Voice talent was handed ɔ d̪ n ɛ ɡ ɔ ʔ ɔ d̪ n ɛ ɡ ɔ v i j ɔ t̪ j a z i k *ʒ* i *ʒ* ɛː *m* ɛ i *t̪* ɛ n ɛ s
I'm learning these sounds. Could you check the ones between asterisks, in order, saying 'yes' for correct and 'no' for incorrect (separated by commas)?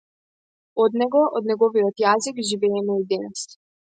yes, no, yes, no